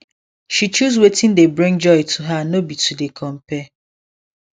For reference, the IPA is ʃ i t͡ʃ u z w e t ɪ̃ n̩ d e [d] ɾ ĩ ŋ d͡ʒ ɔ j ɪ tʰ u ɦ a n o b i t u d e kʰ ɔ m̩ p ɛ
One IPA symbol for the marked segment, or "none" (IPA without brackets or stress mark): b